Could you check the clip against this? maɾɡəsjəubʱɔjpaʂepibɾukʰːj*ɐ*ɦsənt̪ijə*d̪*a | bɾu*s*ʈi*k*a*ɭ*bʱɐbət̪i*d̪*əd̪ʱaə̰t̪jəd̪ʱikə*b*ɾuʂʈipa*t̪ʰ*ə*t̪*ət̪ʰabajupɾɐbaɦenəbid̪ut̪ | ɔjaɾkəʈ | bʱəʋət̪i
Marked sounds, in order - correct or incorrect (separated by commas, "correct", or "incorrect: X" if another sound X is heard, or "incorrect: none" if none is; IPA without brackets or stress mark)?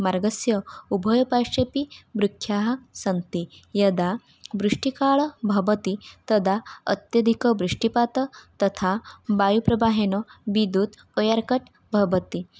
incorrect: a, correct, incorrect: ʂ, correct, correct, incorrect: t̪, correct, incorrect: t̪, correct